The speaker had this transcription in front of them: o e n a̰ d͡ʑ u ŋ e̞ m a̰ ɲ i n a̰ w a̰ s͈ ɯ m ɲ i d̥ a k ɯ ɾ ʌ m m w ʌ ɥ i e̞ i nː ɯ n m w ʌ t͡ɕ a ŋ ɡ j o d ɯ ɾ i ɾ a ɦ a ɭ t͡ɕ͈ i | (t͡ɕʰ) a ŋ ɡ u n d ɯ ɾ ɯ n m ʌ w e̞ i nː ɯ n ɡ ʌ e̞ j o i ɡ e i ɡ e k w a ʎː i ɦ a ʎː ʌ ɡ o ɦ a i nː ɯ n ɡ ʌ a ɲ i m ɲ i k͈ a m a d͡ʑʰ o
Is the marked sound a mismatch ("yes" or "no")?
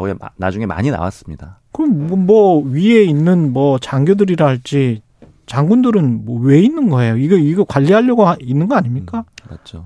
yes